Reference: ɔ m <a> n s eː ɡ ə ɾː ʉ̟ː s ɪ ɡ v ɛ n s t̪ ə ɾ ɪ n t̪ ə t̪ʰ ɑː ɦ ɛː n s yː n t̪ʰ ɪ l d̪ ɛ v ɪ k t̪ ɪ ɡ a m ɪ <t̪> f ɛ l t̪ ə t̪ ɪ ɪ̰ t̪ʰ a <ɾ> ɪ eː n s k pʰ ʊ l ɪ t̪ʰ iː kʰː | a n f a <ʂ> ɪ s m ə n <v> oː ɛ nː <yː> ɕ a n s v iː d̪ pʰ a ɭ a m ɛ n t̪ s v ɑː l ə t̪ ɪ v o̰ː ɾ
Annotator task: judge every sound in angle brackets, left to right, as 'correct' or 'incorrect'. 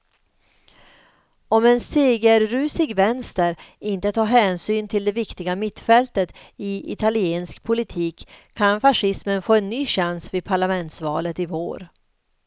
incorrect: ɛ, correct, incorrect: l, correct, incorrect: f, correct

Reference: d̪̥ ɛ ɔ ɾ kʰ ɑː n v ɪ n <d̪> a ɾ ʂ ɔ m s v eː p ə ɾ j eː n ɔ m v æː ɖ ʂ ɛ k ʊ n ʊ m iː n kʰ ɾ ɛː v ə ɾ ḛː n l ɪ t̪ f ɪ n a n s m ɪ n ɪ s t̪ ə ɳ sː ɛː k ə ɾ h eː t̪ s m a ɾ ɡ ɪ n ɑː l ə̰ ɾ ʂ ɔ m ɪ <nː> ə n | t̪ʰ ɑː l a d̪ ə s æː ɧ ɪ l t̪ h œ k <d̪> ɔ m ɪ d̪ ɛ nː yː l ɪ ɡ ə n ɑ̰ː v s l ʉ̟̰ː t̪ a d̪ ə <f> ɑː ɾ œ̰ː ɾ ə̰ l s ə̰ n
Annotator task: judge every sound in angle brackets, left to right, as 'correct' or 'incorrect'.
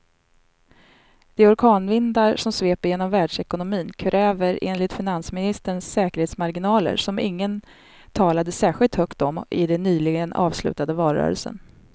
correct, incorrect: ŋː, incorrect: t̪, incorrect: v

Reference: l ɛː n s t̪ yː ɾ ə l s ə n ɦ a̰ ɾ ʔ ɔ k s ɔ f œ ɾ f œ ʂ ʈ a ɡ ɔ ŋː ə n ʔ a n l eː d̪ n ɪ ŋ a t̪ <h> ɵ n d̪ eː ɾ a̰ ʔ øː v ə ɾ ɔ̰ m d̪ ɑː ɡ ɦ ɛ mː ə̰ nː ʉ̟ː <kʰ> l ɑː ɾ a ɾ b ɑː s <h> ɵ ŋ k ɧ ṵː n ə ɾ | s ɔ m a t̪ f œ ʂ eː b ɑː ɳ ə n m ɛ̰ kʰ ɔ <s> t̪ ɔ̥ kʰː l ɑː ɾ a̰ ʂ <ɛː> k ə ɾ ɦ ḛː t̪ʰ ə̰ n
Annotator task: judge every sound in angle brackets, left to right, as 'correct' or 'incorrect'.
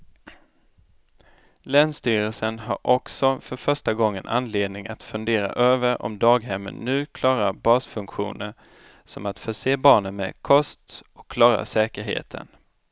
incorrect: f, correct, incorrect: f, correct, correct

